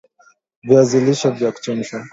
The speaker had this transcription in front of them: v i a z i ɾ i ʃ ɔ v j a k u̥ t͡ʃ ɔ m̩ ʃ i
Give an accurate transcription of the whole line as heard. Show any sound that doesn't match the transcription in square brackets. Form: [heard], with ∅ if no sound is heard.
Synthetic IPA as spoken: v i a z i [l] i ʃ ɔ v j a k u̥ t͡ʃ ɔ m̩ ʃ [a]